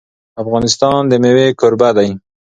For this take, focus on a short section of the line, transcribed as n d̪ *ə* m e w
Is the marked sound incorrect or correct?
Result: correct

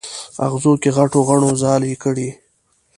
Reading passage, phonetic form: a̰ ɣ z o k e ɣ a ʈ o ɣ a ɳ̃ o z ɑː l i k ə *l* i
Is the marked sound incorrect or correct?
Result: incorrect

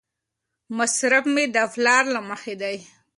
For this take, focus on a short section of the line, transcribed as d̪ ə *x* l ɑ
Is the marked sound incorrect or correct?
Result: incorrect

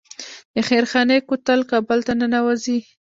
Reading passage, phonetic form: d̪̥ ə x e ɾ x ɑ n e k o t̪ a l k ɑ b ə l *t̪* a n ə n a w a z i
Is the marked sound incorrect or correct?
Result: correct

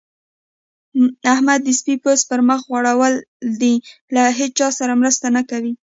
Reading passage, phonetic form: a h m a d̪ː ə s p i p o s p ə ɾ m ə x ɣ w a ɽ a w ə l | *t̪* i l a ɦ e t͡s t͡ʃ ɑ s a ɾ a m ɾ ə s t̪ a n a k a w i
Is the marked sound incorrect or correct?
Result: incorrect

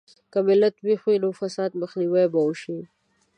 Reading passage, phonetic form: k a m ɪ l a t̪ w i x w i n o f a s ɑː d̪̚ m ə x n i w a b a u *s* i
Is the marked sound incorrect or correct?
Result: incorrect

